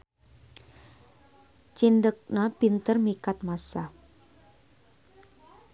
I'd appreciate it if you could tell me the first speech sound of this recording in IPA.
t͡ʃ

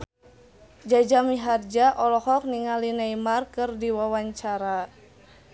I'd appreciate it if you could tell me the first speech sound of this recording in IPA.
d͡ʒ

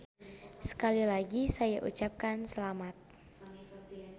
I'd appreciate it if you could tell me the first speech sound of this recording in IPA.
s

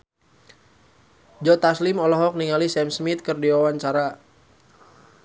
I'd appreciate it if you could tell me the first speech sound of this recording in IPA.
d͡ʒ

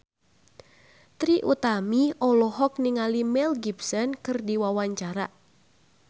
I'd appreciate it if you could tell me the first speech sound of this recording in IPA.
t̪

